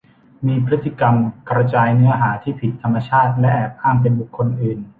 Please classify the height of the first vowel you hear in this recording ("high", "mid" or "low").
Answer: high